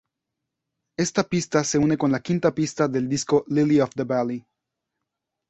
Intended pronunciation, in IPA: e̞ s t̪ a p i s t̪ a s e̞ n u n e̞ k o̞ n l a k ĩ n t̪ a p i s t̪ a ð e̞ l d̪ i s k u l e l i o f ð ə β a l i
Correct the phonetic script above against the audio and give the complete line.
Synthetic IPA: e̞ s t̪ a p i s t̪ a s e̞ u n e̞ k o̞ n l a k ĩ n t̪ a p i s t̪ a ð e̞ l d̪ i s k o l i l i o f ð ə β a l i